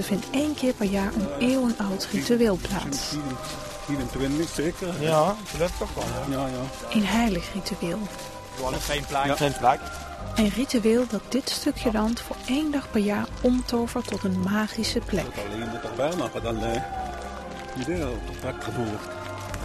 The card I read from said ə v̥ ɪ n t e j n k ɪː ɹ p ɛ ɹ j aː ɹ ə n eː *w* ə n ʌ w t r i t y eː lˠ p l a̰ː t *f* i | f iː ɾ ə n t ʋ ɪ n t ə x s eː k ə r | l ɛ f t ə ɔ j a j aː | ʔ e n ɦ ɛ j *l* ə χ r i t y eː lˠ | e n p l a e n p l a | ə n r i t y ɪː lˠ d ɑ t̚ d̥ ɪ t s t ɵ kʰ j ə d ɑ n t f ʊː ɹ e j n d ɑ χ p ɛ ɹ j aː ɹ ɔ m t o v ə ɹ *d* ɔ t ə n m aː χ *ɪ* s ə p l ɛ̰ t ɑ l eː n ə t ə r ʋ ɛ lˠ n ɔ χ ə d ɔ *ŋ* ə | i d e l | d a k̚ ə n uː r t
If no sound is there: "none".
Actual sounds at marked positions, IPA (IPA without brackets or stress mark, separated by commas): w, s, l, t, i, n